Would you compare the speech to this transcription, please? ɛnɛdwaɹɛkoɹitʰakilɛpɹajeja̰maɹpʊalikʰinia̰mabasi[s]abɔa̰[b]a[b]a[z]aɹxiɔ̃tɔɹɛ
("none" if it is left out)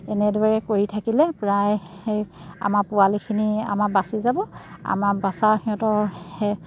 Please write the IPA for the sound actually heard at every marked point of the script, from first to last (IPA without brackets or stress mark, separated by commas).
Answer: z, m, b, s